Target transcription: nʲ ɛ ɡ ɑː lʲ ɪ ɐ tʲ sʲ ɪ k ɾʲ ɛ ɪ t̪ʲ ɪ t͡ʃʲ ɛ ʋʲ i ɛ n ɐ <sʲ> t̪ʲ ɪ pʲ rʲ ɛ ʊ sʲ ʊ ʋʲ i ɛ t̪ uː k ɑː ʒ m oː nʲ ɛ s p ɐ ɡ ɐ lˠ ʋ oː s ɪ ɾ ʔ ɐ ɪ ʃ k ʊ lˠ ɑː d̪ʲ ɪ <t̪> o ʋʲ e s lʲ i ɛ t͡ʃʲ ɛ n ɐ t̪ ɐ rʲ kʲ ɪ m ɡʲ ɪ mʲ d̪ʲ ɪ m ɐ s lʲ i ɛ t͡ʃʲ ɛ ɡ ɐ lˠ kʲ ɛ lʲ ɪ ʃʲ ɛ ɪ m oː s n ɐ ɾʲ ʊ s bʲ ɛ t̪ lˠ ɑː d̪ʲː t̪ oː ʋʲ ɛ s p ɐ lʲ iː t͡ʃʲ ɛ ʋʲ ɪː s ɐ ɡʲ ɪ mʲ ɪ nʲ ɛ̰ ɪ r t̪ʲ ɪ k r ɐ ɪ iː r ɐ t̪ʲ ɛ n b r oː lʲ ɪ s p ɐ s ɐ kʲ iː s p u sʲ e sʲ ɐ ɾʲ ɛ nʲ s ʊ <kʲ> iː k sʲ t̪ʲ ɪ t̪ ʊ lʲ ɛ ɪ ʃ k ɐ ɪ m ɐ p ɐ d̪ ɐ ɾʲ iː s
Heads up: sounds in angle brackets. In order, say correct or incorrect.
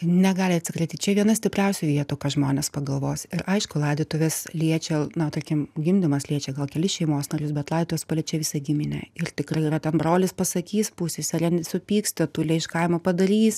correct, correct, incorrect: pʲ

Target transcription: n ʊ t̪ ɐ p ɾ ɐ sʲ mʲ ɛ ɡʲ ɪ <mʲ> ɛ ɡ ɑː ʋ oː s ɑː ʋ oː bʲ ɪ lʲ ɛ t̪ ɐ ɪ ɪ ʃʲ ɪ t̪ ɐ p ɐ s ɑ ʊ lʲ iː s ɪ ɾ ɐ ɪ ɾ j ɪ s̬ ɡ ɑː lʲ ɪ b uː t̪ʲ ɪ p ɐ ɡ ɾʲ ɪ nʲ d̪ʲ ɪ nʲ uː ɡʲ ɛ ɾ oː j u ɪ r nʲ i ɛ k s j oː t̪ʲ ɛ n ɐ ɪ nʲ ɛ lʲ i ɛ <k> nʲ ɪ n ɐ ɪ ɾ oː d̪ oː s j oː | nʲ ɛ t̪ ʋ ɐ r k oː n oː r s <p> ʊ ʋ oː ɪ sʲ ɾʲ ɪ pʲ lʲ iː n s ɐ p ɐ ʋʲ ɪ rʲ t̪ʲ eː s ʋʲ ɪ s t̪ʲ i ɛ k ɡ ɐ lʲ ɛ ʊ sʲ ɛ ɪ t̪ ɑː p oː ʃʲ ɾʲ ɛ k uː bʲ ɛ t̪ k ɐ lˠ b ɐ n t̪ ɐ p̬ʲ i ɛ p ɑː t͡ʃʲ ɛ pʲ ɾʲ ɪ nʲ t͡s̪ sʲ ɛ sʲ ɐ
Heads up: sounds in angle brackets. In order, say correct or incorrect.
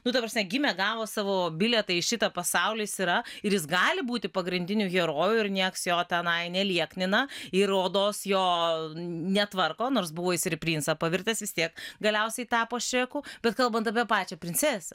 correct, correct, incorrect: b

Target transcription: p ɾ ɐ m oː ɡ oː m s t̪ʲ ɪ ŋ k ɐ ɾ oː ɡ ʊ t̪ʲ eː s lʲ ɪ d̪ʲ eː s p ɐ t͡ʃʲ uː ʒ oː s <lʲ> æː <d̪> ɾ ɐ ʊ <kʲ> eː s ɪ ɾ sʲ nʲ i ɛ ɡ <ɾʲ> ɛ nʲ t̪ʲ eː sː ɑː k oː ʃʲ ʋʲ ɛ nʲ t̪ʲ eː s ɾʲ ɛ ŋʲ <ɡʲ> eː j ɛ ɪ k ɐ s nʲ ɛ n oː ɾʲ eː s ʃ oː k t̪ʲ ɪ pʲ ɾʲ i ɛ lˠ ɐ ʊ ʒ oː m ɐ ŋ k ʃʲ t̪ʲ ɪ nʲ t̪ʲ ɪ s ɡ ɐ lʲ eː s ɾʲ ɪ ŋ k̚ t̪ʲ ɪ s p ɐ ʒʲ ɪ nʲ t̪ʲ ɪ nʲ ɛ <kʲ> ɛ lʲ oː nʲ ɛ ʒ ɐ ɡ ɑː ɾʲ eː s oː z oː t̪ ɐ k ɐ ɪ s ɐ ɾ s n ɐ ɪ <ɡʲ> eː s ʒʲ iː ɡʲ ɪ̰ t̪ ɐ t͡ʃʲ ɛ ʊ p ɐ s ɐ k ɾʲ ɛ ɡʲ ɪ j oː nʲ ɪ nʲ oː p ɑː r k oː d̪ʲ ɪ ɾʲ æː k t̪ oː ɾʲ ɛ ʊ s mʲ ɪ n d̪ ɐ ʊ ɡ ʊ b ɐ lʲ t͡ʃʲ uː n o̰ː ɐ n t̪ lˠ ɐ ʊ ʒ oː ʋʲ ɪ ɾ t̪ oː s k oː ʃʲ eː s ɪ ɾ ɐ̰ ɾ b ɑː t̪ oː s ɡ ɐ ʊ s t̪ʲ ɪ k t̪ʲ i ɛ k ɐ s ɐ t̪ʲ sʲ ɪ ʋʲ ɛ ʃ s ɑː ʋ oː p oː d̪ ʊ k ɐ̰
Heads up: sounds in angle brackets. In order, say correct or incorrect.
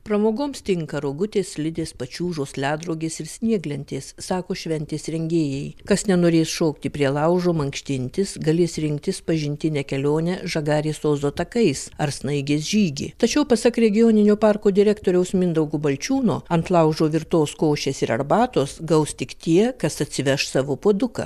correct, correct, incorrect: ɡʲ, incorrect: lʲ, correct, correct, correct

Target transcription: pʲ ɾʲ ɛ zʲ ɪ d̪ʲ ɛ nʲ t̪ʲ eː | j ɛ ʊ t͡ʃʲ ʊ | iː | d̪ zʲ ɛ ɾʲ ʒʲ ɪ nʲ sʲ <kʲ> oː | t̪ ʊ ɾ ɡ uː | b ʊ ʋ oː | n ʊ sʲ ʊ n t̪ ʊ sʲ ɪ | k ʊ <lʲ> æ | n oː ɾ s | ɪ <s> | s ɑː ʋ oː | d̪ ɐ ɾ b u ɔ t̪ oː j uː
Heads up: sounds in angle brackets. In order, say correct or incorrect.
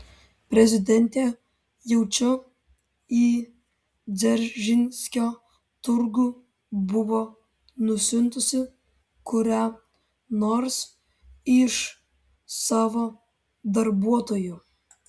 correct, incorrect: ɾʲ, incorrect: ʃ

